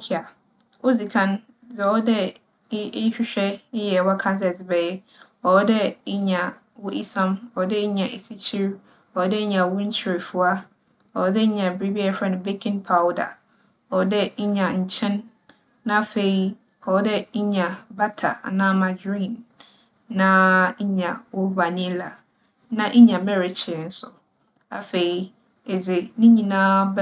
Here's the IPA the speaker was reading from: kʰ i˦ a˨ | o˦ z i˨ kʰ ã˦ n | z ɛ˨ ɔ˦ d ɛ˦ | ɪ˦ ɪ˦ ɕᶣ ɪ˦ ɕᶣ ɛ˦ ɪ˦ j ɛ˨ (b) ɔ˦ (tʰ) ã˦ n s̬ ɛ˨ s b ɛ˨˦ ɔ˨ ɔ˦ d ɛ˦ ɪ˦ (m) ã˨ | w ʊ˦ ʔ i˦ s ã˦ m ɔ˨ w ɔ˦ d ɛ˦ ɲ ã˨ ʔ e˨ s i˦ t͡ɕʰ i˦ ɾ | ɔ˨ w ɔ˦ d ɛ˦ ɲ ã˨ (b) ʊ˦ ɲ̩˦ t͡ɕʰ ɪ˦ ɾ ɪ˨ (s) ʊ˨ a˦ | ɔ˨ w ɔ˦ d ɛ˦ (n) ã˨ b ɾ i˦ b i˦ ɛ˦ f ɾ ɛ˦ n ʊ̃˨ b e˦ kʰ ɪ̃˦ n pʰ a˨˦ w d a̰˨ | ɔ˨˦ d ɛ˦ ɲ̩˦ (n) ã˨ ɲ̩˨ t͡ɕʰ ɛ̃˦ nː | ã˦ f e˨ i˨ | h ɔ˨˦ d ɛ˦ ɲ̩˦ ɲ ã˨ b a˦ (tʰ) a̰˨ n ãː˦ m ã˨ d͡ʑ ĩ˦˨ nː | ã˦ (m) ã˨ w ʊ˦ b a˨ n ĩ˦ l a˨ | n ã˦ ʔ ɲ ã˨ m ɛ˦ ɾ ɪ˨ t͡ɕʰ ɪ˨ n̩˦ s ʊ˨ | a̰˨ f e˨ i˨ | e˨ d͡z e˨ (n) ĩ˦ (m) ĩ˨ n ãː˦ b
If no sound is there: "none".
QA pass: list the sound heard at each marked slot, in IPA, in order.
w, kʰ, ɲ, w, f, ɲ, ɲ, tʰ, ɲ, n, ɲ

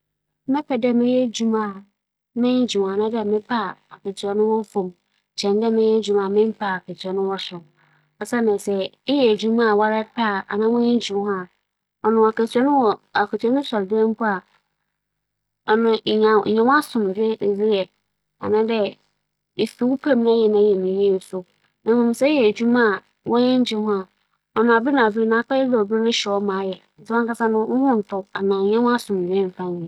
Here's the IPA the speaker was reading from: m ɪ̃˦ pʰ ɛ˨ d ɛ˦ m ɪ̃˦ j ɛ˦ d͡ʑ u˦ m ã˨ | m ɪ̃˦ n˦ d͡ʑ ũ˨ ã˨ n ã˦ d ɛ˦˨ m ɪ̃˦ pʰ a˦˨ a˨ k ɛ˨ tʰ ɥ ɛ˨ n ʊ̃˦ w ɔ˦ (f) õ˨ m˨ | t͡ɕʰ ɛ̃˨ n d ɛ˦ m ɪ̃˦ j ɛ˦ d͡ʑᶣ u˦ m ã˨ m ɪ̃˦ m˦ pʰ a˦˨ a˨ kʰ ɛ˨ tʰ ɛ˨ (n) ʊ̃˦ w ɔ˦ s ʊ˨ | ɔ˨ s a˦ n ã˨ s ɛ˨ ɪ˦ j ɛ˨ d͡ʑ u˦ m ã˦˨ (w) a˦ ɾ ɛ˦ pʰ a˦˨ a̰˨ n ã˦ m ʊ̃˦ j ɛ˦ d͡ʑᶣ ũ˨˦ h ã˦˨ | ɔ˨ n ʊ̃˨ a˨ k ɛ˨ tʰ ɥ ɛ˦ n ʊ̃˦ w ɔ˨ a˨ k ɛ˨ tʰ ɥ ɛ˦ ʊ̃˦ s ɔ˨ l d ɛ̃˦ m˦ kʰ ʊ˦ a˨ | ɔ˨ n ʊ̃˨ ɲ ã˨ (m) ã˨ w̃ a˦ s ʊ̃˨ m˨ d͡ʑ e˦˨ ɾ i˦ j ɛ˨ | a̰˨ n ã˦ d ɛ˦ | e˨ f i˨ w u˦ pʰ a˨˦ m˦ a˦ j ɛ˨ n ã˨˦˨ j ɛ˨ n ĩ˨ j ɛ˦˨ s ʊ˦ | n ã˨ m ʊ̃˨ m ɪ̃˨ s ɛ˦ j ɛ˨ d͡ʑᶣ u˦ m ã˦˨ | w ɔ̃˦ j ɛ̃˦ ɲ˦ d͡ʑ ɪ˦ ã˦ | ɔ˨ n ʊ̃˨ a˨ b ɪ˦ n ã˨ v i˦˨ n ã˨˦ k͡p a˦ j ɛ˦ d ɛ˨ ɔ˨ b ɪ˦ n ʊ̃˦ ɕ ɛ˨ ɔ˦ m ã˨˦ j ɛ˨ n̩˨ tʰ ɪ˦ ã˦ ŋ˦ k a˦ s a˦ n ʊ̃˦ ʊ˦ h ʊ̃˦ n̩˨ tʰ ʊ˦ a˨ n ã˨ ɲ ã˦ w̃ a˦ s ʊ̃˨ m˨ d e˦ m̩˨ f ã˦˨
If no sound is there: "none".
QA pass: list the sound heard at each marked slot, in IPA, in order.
f, n, w, ɲ

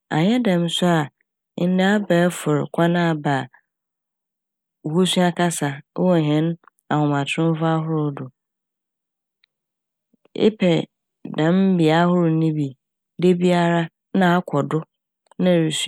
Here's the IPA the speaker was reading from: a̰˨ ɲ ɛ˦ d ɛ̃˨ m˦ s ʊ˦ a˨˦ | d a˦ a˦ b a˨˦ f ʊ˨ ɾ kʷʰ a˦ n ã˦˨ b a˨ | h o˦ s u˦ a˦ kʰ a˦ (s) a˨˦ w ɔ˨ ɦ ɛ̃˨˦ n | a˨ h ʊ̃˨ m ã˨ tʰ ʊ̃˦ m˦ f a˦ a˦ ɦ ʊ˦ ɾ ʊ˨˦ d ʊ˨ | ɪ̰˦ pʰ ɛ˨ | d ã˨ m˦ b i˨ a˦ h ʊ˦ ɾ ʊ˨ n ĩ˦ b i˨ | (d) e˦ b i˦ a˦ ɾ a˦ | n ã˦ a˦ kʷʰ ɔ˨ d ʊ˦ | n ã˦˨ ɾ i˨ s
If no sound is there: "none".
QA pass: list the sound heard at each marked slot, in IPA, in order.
s, d

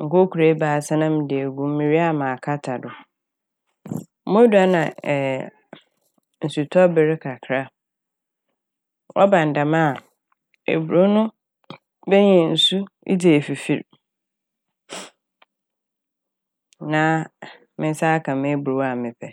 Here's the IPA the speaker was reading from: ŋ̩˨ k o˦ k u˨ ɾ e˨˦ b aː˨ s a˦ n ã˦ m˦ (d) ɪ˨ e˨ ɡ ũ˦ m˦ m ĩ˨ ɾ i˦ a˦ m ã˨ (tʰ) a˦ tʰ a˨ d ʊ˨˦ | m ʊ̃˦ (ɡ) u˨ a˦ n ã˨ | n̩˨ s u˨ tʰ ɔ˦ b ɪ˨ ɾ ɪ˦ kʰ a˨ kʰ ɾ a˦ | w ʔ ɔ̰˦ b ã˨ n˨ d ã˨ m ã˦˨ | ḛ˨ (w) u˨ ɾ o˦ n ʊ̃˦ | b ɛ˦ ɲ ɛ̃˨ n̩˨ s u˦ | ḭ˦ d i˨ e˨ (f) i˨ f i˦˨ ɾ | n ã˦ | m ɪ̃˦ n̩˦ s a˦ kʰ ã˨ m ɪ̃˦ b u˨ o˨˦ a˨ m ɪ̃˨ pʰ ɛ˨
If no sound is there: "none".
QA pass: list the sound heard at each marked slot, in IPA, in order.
d, kʰ, d, b, f

